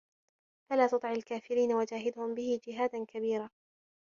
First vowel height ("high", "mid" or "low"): low